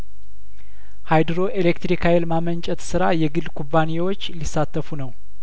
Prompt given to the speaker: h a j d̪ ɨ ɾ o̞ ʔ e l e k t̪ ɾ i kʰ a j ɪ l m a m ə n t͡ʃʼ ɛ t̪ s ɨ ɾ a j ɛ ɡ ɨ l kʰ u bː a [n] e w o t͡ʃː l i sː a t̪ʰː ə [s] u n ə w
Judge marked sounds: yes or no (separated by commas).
yes, no